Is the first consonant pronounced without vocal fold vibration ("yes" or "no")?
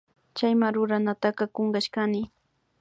yes